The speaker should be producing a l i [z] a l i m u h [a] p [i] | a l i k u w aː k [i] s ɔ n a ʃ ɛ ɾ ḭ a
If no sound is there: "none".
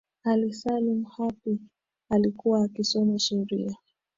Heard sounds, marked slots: s, a, i, i

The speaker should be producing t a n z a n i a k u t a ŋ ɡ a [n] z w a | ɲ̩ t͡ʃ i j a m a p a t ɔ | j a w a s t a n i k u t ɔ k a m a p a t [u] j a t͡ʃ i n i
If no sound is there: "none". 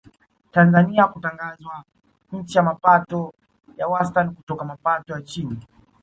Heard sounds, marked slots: none, ɔ

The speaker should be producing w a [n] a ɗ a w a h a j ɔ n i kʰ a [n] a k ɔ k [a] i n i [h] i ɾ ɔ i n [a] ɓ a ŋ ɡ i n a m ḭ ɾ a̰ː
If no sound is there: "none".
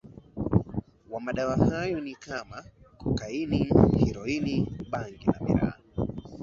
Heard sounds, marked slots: m, m, a, h, i

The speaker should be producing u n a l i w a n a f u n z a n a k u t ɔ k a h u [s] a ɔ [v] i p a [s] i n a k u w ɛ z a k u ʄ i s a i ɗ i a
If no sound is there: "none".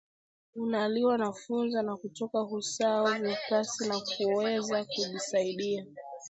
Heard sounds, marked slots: s, v, s

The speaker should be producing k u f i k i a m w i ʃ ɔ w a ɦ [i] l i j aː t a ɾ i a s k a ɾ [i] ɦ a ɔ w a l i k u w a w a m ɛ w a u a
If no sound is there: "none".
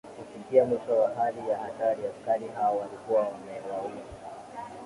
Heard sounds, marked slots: a, i

